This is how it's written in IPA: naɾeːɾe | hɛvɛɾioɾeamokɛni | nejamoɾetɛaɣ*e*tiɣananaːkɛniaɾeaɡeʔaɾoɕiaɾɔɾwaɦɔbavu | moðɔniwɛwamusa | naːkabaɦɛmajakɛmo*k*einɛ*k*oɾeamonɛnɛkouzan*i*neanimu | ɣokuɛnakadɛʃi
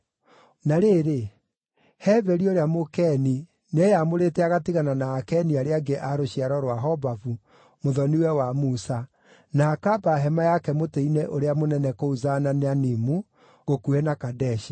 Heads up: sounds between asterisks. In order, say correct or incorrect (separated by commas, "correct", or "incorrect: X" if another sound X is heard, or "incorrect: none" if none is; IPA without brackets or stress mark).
incorrect: a, incorrect: t, incorrect: ʔ, incorrect: a